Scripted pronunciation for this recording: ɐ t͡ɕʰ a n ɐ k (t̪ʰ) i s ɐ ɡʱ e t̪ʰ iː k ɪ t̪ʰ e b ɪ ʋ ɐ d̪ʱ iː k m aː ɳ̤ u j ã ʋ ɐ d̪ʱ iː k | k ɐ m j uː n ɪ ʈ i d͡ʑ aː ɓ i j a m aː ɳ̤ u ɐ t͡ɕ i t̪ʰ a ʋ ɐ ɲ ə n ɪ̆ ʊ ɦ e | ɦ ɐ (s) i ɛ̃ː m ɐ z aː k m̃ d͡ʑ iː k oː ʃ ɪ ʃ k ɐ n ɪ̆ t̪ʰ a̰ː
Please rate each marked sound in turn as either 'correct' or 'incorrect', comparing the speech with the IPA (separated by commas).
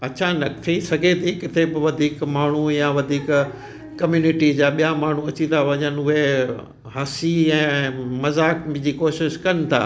correct, correct